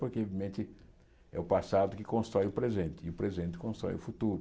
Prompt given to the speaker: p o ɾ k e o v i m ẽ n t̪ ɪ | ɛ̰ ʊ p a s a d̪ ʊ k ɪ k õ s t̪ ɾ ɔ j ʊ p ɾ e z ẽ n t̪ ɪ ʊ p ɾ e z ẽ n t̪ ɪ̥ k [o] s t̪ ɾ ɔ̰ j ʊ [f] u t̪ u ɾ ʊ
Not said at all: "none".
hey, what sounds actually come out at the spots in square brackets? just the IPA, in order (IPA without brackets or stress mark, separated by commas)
õ, f